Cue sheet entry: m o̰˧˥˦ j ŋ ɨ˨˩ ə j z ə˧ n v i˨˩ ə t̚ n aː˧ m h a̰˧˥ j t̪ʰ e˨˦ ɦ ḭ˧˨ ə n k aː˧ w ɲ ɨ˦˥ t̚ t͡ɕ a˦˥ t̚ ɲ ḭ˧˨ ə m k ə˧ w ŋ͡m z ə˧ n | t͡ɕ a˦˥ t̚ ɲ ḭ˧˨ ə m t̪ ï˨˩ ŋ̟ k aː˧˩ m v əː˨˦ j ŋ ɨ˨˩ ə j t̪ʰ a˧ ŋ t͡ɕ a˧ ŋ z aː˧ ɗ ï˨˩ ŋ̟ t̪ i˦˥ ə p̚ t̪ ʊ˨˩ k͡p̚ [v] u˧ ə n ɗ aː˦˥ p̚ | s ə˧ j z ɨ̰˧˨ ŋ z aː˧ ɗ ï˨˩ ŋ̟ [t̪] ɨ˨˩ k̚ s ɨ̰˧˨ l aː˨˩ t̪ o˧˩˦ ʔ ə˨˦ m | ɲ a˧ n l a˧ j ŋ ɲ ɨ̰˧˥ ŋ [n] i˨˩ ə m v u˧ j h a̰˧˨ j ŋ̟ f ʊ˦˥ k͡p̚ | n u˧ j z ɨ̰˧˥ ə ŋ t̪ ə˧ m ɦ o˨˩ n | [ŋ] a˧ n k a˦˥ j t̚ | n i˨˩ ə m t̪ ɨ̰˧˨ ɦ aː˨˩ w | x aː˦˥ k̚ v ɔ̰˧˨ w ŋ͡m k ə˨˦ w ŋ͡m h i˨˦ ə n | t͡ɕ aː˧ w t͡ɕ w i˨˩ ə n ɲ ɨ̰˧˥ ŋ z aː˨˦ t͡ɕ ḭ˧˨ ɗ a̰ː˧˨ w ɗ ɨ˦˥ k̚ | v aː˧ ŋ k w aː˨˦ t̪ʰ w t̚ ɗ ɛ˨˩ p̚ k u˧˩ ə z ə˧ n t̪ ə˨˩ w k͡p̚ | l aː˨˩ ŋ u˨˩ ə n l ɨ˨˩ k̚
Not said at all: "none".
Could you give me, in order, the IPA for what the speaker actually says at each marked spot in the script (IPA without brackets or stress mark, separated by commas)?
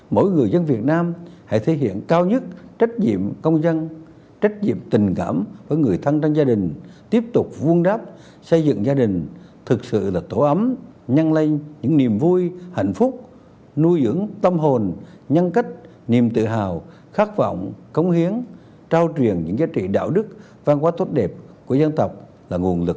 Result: v, t̪ʰ, n, ɲ